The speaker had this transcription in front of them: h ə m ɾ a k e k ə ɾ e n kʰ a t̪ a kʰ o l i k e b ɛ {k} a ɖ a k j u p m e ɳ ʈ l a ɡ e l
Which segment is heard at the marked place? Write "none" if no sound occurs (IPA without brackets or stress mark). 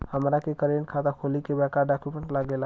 k